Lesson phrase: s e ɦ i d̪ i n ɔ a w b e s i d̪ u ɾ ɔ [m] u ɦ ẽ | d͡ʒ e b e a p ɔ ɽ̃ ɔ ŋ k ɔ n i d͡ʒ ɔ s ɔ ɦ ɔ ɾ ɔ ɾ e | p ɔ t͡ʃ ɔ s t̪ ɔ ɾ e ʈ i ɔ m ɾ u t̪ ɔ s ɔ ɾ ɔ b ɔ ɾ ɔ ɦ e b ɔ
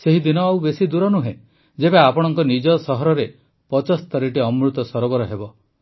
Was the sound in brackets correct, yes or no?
no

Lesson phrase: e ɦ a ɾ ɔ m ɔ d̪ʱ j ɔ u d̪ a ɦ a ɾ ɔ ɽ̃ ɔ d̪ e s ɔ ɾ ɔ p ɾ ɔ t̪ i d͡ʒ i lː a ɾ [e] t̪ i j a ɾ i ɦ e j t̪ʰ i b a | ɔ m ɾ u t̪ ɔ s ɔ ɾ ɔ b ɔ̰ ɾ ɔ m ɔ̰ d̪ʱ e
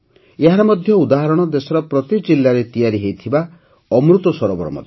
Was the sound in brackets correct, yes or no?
yes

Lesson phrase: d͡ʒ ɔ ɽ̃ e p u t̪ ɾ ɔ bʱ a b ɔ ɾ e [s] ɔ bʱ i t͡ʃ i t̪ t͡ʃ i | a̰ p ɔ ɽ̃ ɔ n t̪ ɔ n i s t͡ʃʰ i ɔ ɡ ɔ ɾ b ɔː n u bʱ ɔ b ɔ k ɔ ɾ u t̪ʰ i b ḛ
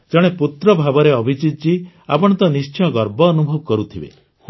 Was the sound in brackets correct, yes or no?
no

